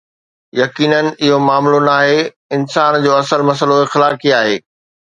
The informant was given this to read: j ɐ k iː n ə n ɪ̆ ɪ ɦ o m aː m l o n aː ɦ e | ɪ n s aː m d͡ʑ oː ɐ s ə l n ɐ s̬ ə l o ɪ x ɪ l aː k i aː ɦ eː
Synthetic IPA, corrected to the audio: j ɐ k iː n ə n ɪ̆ ɪ ɦ o m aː m l o n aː ɦ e | ɪ n s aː n d͡ʑ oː ɐ s ə l m ɐ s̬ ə l o ɪ x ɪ l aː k i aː ɦ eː